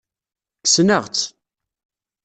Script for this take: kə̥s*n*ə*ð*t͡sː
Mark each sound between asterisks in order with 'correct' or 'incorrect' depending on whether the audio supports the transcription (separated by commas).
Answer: correct, incorrect